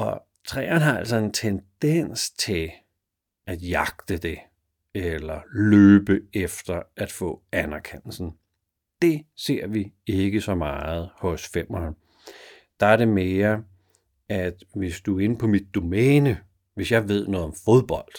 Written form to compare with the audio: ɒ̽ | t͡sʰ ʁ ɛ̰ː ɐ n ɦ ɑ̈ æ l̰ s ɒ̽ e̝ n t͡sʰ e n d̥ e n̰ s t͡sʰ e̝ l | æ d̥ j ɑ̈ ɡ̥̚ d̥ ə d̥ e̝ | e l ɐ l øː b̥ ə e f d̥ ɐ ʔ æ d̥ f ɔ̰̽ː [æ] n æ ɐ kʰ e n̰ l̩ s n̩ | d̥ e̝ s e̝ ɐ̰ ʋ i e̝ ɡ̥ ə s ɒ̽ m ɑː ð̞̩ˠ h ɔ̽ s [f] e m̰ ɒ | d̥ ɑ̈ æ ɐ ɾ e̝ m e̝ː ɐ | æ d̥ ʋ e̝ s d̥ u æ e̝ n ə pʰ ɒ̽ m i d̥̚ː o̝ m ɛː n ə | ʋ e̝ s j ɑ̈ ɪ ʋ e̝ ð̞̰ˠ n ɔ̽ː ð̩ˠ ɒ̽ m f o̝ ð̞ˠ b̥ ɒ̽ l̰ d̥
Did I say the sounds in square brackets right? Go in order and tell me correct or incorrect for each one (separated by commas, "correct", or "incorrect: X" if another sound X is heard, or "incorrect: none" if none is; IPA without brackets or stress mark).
correct, correct